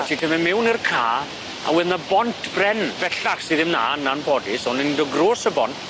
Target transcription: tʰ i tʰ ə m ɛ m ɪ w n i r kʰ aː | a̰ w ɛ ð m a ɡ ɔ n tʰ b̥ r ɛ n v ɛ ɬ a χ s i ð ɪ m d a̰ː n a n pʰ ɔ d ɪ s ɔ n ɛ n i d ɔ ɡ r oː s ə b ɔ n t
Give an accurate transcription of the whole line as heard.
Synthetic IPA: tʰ i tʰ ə m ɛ m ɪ w n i r kʰ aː | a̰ w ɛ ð n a b ɔ n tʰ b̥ r ɛ n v ɛ ɬ a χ s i ð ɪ m n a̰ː n a n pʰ ɔ d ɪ s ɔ n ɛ n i d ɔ ɡ r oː s ə b ɔ n t